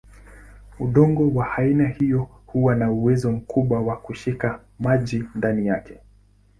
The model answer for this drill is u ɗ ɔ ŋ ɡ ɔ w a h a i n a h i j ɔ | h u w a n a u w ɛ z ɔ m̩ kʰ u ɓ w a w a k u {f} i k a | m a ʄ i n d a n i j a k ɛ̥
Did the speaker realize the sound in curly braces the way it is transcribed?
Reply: no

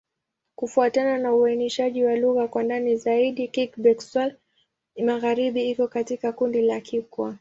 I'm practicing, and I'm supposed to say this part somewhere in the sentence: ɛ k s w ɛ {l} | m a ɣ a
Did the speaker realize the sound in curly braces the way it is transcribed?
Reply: yes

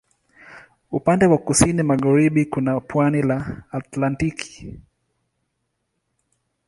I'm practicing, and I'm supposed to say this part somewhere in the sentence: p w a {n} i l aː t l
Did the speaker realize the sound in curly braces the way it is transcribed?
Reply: yes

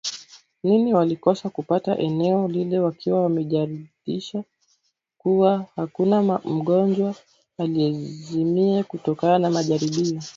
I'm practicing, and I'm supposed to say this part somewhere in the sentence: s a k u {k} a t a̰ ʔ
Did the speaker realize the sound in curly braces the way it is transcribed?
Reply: no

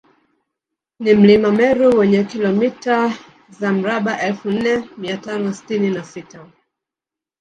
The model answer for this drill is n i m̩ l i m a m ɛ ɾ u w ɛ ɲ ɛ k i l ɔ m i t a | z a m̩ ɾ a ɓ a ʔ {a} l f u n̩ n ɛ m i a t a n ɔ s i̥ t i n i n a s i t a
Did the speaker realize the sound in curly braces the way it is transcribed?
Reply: no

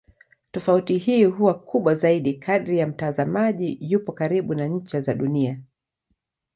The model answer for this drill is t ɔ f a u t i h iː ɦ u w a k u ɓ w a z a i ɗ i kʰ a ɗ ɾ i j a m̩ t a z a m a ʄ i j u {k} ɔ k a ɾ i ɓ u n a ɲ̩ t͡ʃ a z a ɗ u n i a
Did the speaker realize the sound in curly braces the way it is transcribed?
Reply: no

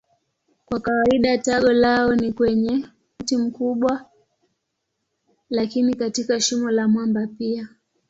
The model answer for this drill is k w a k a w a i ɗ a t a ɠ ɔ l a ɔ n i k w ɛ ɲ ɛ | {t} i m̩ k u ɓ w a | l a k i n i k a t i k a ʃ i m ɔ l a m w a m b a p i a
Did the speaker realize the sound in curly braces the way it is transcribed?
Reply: yes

